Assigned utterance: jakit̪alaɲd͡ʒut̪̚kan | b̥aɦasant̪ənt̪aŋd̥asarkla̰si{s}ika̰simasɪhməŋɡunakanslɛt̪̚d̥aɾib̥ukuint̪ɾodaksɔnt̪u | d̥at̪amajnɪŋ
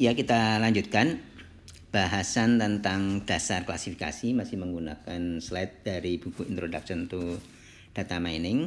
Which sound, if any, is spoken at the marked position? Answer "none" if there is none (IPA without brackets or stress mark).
f